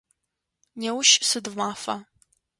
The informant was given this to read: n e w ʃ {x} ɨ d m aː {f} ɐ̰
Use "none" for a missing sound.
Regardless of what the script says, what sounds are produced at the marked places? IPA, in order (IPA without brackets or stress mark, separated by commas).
s, f